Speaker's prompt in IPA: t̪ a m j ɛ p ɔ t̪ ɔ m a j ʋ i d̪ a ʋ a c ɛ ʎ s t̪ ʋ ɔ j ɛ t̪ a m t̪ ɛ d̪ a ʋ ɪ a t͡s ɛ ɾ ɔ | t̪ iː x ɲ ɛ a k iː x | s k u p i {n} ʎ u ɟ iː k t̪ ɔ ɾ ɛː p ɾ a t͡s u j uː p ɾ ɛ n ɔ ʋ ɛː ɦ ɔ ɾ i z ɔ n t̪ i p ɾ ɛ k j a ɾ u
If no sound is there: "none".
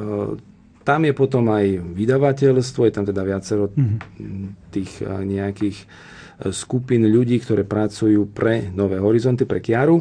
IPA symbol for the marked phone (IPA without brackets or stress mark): n